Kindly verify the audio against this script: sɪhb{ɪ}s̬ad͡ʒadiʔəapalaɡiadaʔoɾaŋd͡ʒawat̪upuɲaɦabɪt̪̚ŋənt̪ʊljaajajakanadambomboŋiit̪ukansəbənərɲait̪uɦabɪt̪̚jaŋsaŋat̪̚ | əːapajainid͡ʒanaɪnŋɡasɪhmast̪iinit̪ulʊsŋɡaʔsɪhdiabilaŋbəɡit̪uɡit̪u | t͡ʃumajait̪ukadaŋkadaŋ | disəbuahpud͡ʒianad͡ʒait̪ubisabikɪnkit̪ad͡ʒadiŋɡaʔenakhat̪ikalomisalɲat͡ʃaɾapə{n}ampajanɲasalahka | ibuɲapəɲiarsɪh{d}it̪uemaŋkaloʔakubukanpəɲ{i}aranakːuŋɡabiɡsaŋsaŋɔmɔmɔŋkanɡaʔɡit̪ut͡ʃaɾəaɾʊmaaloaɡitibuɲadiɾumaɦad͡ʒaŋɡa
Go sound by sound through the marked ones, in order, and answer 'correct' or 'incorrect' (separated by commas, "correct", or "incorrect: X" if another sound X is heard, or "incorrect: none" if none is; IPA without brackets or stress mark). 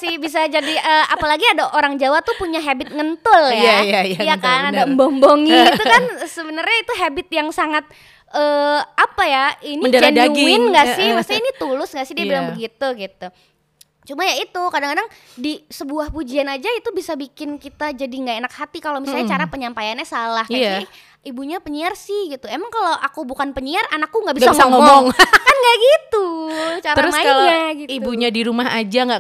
incorrect: i, incorrect: ɲ, incorrect: ɡ, correct